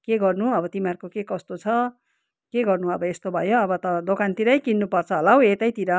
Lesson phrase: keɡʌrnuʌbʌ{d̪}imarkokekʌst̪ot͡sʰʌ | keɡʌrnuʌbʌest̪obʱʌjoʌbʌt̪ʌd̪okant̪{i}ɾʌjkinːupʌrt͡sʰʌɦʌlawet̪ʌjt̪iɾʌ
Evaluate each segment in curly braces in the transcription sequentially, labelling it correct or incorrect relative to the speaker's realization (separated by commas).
incorrect, correct